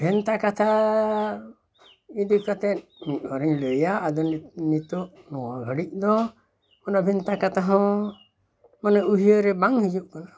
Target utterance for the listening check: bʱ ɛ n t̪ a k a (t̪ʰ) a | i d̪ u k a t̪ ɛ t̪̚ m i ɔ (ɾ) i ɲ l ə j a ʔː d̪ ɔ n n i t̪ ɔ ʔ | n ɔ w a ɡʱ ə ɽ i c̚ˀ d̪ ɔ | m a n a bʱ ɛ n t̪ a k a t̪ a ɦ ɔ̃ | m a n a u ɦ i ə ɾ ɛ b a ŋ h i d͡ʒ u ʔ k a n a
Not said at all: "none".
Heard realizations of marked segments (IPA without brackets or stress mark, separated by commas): t̪ʰ, ɾ